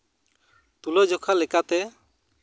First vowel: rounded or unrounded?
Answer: rounded